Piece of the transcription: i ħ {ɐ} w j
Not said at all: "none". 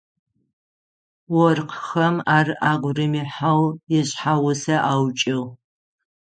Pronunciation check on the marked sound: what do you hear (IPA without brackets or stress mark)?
a